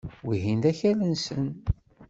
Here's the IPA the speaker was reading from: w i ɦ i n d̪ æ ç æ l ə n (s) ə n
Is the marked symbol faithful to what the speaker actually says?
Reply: yes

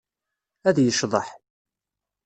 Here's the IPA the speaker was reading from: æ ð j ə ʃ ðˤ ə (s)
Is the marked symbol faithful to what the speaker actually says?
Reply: no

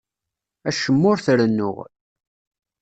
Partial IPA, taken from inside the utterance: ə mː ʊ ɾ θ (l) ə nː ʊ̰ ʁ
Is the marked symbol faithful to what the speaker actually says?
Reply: no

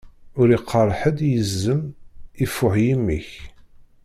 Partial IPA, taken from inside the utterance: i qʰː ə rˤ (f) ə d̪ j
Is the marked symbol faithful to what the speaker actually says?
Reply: no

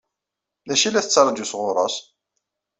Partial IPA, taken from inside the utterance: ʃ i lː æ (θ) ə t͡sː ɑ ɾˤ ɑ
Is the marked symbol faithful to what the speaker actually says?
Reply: yes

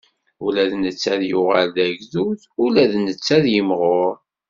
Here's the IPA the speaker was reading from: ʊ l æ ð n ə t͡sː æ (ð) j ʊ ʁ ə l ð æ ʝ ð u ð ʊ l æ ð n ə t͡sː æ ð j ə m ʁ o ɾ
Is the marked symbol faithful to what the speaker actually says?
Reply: yes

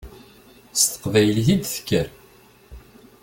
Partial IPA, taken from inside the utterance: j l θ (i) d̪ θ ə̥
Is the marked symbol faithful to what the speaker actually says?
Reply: yes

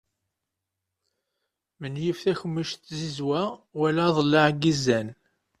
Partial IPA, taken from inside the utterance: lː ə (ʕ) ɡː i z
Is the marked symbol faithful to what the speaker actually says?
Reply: yes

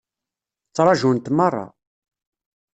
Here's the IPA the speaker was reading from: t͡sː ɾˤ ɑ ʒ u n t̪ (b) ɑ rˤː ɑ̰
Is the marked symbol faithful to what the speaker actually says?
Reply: no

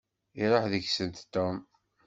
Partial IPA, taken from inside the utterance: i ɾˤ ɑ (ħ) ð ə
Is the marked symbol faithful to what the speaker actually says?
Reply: yes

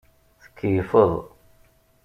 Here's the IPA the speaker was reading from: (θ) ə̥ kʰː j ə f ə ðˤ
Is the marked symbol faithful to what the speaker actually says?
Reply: yes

